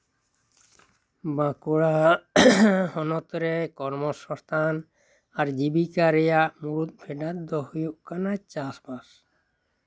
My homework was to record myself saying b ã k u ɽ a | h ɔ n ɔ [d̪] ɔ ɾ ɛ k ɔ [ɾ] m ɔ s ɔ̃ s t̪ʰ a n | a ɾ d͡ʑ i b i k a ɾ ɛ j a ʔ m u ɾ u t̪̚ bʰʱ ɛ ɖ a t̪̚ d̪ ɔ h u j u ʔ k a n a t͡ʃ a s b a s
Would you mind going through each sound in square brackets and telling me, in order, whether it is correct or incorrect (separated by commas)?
incorrect, correct